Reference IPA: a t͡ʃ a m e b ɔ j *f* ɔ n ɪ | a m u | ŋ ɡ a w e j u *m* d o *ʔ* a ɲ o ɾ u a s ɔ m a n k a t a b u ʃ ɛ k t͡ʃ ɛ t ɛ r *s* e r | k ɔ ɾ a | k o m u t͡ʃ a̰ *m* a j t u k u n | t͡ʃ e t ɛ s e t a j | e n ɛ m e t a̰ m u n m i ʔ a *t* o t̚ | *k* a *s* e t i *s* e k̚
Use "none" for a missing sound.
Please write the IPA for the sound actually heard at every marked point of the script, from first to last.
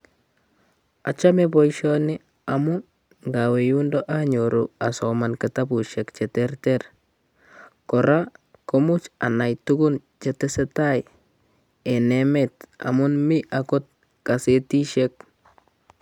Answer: ʃ, n, ʔ, t, n, k, k, s, ʃ

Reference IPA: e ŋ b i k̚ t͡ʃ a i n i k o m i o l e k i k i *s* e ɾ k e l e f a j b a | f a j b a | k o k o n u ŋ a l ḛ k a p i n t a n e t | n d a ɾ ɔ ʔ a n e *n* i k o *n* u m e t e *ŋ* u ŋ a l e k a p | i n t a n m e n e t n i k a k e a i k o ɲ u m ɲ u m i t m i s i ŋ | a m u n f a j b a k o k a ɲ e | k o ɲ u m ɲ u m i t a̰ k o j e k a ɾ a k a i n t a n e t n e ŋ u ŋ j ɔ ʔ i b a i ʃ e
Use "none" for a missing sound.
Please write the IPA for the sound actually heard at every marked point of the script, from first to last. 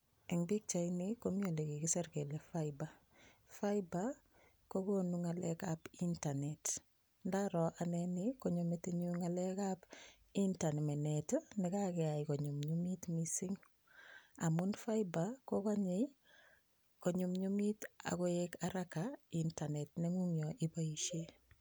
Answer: s, n, ɲ, ɲ

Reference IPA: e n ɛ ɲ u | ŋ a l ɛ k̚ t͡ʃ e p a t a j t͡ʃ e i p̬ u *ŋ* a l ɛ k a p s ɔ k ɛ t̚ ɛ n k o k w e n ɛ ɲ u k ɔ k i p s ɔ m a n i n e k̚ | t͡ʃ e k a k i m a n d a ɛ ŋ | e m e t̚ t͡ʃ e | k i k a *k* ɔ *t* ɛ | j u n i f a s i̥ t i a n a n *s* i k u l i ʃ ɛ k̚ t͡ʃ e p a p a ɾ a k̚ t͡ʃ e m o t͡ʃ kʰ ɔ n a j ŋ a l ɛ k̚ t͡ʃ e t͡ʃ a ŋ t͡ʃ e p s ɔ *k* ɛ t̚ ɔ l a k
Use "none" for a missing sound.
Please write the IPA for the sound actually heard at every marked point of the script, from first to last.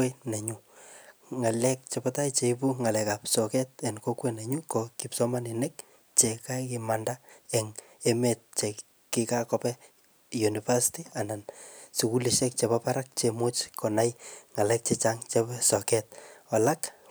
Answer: ŋ, k, p, s, k

